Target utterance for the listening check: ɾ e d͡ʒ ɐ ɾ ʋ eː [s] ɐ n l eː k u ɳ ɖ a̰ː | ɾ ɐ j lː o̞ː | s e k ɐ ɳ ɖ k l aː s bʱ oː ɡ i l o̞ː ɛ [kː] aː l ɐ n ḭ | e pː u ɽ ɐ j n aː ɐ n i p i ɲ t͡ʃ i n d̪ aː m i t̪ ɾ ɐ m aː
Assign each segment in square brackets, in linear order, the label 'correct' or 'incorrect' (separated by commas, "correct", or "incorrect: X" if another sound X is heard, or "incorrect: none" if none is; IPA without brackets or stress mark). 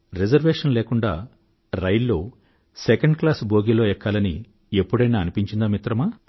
incorrect: ʂ, correct